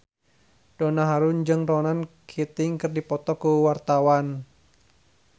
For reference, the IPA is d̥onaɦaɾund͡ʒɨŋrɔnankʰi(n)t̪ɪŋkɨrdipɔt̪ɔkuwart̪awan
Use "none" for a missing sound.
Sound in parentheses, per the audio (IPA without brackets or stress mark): none